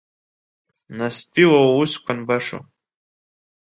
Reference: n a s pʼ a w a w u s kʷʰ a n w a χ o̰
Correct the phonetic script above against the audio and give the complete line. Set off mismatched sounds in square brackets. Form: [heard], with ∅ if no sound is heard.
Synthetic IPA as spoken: n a s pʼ [i] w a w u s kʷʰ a n [b] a [ʂ] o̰